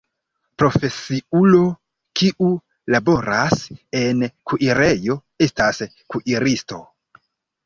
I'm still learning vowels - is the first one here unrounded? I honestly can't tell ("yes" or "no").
no